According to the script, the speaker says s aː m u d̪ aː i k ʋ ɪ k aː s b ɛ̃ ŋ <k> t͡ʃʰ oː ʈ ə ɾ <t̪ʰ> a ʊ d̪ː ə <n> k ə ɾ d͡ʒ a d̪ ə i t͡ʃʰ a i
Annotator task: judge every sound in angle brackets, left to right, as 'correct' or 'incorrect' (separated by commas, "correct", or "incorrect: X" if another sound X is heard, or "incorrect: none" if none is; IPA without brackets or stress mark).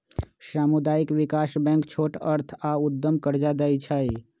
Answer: correct, correct, incorrect: m